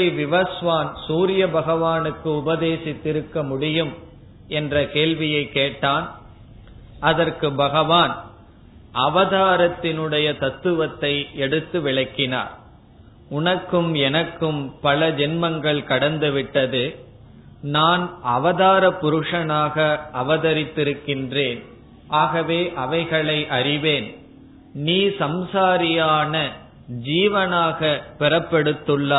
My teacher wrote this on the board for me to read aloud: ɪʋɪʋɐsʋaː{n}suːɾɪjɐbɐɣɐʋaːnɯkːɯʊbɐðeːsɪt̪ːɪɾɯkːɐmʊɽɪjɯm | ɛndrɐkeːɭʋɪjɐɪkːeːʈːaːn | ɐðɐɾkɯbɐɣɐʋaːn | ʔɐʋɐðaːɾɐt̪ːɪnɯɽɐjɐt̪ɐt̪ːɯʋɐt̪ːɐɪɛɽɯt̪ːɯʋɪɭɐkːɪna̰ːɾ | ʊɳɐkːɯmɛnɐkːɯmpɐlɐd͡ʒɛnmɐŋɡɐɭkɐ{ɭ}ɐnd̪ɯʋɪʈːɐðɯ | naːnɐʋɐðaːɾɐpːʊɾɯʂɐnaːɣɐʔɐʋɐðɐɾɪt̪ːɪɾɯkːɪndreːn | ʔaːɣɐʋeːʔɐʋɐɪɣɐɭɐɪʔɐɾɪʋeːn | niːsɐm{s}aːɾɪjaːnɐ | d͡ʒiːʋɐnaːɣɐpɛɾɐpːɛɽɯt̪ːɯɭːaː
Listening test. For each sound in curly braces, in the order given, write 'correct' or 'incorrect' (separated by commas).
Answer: correct, incorrect, correct